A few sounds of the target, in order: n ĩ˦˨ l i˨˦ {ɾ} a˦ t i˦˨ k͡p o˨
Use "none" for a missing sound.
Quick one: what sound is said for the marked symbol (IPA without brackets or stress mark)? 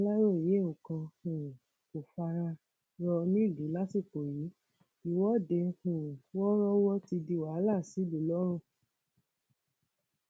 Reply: l